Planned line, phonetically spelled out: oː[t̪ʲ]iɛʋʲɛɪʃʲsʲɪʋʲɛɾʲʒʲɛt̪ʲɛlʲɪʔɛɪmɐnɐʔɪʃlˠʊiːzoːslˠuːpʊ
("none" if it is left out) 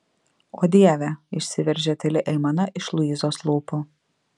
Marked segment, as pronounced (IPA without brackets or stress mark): d̪ʲ